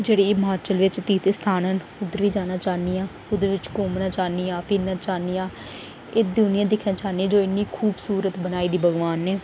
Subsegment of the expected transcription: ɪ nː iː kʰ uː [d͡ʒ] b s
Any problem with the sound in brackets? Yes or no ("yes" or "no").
yes